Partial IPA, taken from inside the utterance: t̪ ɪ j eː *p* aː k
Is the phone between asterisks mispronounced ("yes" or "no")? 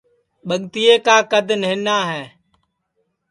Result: yes